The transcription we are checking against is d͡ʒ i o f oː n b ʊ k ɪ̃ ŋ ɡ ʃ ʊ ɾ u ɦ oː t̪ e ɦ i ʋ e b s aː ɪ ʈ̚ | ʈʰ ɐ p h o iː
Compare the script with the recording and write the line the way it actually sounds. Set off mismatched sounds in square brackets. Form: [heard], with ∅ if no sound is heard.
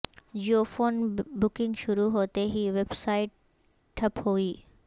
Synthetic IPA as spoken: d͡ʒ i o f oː n b ʊ k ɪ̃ ŋ ɡ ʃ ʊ ɾ u ɦ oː t̪ e ɦ i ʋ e b s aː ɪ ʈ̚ | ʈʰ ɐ p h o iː